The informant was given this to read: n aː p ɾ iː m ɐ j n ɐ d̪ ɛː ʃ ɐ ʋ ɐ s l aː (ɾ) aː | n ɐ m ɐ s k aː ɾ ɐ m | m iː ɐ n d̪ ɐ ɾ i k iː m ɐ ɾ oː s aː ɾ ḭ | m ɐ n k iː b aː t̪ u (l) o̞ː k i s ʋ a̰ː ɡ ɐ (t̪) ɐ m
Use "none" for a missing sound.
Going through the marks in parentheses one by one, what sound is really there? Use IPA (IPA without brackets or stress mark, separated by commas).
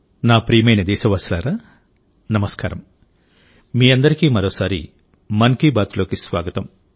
ɾ, l, t̪